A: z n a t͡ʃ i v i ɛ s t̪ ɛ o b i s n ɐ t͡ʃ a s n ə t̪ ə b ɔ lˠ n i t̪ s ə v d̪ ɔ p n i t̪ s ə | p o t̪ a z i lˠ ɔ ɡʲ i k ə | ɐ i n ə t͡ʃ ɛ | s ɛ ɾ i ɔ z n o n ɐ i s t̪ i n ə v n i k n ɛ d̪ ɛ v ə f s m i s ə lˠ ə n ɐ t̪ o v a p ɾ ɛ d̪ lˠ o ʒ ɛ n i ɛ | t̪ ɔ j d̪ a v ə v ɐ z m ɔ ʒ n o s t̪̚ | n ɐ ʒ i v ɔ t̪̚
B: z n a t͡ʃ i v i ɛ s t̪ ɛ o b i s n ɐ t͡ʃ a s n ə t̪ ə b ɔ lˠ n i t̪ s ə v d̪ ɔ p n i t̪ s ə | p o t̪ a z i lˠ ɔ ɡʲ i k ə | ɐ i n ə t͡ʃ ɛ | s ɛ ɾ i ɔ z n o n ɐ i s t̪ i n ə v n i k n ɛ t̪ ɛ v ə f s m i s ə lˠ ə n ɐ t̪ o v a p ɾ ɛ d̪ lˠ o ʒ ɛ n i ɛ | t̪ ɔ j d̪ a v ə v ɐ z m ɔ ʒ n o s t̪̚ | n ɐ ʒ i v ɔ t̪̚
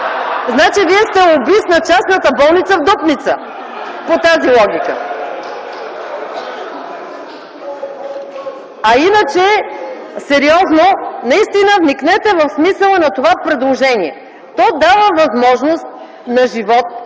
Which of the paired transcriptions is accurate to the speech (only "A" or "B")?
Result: B